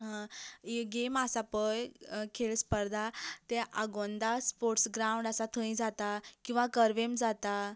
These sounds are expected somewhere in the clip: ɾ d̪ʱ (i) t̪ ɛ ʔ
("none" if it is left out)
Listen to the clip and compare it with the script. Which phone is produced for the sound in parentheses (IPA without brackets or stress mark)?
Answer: a